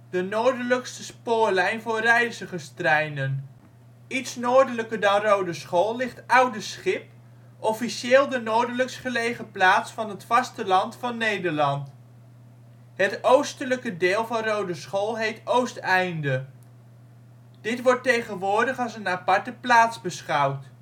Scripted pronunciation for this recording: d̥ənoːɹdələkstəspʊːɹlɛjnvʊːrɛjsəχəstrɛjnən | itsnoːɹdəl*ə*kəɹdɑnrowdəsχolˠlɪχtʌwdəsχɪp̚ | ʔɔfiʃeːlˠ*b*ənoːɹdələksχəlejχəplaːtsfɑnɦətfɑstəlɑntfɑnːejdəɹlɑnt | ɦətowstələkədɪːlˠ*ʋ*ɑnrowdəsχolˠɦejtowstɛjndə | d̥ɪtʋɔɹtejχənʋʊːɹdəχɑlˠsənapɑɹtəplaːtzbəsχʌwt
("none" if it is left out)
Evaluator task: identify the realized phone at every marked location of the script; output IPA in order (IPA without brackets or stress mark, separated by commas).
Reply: ə, d, v